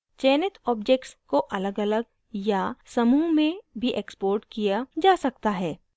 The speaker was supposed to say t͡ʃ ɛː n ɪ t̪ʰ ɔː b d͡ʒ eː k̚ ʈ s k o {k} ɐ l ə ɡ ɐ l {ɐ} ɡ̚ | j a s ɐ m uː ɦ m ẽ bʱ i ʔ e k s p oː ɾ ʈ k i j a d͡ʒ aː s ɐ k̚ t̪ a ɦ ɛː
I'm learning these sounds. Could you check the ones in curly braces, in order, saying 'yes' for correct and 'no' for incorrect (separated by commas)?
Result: no, no